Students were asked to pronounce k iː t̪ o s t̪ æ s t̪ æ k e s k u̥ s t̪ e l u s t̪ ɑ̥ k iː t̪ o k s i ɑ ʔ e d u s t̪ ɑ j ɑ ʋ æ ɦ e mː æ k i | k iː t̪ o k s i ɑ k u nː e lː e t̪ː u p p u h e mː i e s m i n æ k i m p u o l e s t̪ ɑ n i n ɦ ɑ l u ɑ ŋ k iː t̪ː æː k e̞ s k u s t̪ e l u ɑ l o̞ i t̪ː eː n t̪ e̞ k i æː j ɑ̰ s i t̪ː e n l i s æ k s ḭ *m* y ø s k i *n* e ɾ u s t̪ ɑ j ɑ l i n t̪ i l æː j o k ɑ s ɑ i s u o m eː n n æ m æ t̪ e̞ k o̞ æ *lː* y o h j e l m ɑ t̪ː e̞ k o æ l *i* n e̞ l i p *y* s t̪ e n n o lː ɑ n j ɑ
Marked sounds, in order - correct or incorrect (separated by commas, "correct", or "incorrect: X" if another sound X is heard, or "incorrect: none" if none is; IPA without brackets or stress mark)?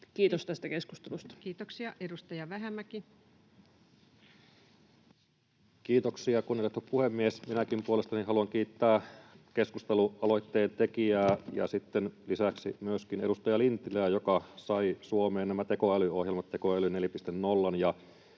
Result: correct, correct, incorrect: l, incorrect: y, incorrect: i